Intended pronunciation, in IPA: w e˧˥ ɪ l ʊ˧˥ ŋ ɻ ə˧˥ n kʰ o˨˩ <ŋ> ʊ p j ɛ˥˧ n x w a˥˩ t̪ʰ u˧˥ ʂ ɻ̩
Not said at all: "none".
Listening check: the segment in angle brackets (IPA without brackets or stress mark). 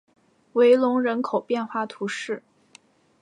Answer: none